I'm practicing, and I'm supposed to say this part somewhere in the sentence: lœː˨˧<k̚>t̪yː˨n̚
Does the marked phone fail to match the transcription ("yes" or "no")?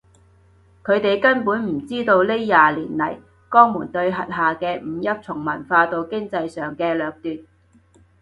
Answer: no